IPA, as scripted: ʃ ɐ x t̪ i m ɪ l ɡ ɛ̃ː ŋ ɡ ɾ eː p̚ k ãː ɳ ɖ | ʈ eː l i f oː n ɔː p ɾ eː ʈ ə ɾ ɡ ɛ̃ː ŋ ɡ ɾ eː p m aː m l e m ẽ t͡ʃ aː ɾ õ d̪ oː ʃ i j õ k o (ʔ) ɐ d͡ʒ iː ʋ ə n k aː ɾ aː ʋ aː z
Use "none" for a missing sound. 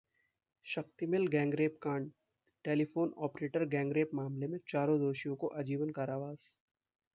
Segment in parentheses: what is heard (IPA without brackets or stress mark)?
ʔ